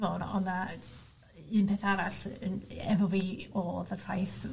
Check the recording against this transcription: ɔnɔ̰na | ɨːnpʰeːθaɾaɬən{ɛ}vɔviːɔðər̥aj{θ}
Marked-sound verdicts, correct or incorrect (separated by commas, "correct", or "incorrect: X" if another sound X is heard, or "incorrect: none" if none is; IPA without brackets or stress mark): correct, correct